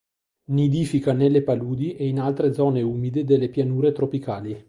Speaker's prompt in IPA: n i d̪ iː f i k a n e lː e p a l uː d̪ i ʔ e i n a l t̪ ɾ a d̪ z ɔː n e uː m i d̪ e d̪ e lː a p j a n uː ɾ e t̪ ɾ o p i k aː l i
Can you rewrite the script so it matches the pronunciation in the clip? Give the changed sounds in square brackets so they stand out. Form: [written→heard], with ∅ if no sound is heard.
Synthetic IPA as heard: n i d̪ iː f i k a n e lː e p a l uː d̪ i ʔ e i n a l t̪ ɾ [a→e] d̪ z ɔː n e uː m i d̪ e d̪ e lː [a→e] p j a n uː ɾ e t̪ ɾ o p i k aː l i